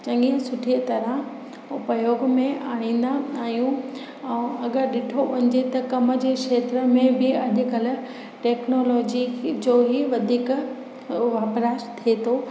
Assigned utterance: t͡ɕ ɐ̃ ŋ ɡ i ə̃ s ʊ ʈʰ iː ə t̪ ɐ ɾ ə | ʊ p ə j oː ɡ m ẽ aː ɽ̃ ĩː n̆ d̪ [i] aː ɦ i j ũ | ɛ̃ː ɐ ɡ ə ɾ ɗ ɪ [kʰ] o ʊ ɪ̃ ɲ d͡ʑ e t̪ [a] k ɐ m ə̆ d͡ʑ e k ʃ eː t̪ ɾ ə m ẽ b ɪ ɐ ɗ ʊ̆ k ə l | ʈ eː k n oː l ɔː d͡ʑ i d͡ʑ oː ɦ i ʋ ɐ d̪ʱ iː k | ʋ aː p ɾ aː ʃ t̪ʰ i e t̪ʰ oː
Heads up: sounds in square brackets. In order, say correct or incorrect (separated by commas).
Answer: incorrect, incorrect, incorrect